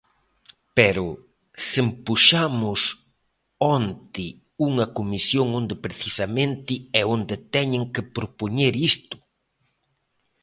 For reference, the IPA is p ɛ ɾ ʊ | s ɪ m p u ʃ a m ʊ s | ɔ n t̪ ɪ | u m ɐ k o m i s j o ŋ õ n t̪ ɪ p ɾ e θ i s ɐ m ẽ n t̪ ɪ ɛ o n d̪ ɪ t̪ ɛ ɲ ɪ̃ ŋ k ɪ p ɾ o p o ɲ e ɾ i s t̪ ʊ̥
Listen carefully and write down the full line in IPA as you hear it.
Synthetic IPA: p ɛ ɾ ʊ | s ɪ m p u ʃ a m ʊ s | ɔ n t̪ ɪ | u ŋ ɐ k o m i s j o ŋ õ n d̪ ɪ p ɾ e θ i s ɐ m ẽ n t̪ ɪ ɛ o n d̪ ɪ t̪ ɛ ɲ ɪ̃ ŋ k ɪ p ɾ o p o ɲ e ɾ i s t̪ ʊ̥

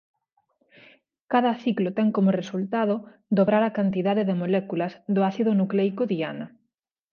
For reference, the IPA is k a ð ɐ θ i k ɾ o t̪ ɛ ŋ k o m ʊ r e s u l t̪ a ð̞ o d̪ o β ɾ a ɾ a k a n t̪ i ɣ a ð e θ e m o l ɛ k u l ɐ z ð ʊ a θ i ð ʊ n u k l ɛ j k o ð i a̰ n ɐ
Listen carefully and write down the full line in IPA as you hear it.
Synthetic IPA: k a ð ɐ θ i k l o t̪ ɛ ŋ k o m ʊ r e s u l t̪ a ð̞ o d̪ o β ɾ a ɾ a k a n t̪ i ð a ð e ð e m o l ɛ k u l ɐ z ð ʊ a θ i ð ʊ n u k l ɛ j k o ð i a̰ n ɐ

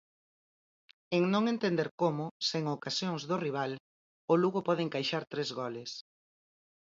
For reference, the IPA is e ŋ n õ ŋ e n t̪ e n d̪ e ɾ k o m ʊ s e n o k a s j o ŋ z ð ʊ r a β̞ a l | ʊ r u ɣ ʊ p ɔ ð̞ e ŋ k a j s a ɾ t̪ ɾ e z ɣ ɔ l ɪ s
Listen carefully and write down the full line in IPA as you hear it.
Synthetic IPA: e ŋ n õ ŋ e n t̪ e n d̪ e ɾ k o m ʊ s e ŋ o k a s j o ŋ z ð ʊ r i β̞ a l | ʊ l u ɣ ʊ p ɔ ð̞ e ŋ k a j ʃ a ɾ t̪ ɾ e z ɣ ɔ l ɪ s

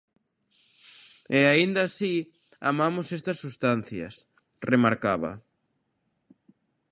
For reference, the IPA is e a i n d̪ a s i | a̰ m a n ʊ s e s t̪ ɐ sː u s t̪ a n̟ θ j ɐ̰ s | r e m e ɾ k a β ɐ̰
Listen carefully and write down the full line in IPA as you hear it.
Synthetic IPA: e a i n d̪ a s i | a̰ m a m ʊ s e s t̪ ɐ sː u s t̪ a n̟ θ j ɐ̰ s | r e m a ɾ k a β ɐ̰

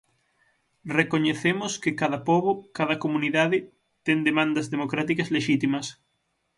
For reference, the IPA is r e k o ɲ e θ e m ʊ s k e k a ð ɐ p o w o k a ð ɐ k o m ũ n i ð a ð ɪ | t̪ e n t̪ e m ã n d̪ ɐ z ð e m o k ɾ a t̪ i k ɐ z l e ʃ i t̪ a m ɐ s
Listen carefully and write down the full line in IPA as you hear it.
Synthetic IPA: r e k o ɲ e θ e m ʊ s k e k a ð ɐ p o β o k a ð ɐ k o m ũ n i ð a ð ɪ | t̪ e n d̪ e m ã n d̪ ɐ z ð e m o k ɾ a t̪ i k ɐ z l e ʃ i t̪ i m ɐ s

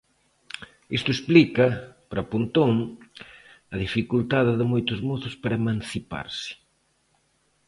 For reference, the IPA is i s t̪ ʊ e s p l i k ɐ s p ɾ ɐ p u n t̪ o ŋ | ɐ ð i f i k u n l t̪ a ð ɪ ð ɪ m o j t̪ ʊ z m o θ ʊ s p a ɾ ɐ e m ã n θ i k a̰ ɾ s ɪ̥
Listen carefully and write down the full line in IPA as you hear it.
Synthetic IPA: i s t̪ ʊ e s p l i k ɐ p ɾ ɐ p u n t̪ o ŋ | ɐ ð i f i k u l t̪ a ð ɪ ð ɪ m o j t̪ ʊ z m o θ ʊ s p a ɾ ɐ e m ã n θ i p a̰ ɾ s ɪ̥

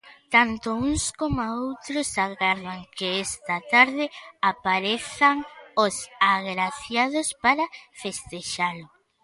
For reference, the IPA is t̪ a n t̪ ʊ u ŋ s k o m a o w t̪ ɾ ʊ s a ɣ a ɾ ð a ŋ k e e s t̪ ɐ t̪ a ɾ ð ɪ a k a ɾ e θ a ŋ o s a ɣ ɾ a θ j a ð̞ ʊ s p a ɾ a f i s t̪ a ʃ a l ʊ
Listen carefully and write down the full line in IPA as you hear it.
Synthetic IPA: t̪ a n t̪ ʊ u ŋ s k o m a o w t̪ ɾ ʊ s a ɣ a ɾ ð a ŋ k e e s t̪ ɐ t̪ a ɾ ð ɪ a p a ɾ e θ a ŋ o s a ɣ ɾ a θ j a ð̞ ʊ s p a ɾ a f e s t̪ e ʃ a l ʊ

